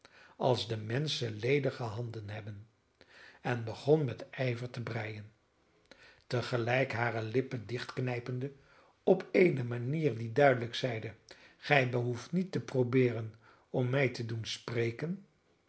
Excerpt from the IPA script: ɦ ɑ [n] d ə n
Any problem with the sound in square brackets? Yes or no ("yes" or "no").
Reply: no